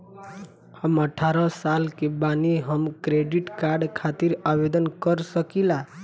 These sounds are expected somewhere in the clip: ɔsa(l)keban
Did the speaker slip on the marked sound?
no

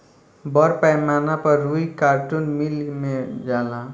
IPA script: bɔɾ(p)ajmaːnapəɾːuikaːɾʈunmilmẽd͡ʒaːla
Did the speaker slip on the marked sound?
no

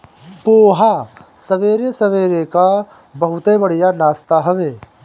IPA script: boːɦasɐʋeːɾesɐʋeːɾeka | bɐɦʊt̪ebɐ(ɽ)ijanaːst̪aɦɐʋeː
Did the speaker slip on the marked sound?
no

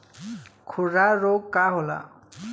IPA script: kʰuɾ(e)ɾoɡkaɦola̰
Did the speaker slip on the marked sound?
yes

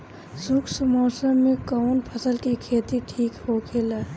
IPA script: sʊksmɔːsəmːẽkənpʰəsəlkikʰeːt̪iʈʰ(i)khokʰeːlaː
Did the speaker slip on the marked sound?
yes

